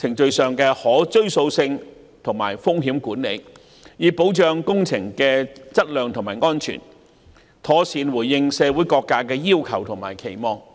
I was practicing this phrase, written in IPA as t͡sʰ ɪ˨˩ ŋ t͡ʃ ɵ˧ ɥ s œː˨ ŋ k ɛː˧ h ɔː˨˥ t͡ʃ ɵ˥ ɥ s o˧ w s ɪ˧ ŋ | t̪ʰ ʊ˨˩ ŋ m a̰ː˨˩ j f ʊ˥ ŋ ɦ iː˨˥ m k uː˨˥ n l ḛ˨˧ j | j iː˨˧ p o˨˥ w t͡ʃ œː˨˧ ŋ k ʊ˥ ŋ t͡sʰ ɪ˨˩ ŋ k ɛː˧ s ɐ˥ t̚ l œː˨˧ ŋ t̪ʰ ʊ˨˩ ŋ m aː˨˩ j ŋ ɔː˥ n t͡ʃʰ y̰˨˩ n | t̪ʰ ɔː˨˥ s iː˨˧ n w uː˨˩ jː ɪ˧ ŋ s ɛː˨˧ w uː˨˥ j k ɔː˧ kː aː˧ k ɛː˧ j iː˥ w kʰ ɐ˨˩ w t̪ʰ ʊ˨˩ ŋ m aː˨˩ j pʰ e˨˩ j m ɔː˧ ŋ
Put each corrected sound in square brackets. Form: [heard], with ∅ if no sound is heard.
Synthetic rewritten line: t͡sʰ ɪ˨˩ ŋ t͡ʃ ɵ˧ ɥ s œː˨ ŋ k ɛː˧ h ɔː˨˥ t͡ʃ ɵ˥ ɥ s o˧ w s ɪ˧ ŋ | t̪ʰ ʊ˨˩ ŋ m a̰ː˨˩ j f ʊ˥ ŋ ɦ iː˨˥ m k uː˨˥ n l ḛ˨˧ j | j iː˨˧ p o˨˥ w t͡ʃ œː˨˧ ŋ k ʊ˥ ŋ t͡sʰ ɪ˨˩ ŋ k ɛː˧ [t͡s] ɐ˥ t̚ l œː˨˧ ŋ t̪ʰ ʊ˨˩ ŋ m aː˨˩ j ŋ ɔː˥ n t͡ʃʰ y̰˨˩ n | t̪ʰ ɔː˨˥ s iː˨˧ n w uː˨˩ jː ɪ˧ ŋ s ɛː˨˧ w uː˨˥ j k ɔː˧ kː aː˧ k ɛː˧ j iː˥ w kʰ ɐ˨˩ w t̪ʰ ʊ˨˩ ŋ m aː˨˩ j [kʰ] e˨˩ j m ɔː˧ ŋ

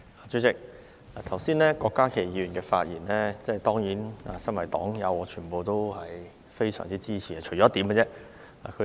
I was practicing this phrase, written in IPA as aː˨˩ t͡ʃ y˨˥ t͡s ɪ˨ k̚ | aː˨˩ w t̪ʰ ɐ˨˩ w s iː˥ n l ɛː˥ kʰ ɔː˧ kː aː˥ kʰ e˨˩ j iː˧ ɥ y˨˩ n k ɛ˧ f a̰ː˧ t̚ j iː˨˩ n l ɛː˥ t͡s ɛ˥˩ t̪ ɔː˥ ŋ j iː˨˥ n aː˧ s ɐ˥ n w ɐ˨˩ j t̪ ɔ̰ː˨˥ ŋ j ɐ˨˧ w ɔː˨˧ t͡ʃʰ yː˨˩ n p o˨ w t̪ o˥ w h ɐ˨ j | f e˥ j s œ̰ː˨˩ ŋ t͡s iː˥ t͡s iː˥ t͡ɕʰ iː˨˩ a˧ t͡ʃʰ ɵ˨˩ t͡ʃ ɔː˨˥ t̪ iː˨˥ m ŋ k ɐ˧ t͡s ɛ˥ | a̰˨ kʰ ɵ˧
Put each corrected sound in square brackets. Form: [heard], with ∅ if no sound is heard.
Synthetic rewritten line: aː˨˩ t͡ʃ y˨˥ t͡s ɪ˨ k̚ | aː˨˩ [∅] t̪ʰ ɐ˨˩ w s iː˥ n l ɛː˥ [k] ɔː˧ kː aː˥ kʰ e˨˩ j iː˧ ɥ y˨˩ n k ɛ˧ f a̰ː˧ t̚ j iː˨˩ n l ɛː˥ t͡s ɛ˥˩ t̪ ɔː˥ ŋ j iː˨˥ n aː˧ s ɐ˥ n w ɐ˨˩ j t̪ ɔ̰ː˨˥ ŋ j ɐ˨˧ w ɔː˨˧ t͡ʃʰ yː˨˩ n p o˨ w t̪ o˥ w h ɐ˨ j | f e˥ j s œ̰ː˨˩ ŋ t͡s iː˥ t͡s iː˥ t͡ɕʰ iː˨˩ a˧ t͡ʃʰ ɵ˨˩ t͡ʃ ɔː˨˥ t̪ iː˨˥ m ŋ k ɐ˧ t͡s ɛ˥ | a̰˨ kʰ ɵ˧

